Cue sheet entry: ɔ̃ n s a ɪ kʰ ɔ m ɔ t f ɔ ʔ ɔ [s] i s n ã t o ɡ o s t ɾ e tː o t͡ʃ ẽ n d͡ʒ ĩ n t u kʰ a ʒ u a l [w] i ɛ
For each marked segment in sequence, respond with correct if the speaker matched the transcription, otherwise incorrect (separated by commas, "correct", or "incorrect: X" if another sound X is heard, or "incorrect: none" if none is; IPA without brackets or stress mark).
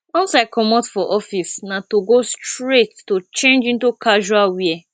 incorrect: f, correct